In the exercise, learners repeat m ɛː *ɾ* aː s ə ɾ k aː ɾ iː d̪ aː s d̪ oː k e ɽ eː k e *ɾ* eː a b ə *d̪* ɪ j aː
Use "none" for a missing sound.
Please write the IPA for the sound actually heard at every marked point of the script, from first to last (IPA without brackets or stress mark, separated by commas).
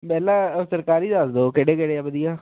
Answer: l, ɽ, d̪